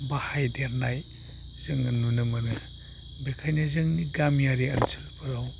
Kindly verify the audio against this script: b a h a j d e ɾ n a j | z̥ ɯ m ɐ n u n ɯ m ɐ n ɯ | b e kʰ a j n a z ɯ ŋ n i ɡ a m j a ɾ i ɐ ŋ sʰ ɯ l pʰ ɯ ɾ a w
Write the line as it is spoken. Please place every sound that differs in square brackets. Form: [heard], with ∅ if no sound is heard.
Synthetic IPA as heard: b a h a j d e ɾ n a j | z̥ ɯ [ŋ] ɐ n u n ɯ m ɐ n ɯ | b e kʰ a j n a z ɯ ŋ n i ɡ a m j a ɾ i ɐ [n] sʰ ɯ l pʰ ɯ ɾ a w